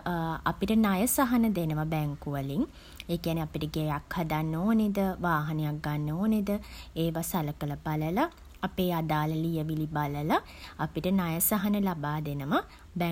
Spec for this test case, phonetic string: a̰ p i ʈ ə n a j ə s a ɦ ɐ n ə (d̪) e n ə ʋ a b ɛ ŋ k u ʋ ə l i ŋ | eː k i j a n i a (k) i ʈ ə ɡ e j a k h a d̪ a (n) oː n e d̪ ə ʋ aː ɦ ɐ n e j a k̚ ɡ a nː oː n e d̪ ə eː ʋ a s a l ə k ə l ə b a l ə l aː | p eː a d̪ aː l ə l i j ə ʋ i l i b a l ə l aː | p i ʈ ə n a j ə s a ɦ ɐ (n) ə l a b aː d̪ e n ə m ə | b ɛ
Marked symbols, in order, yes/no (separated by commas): yes, no, no, yes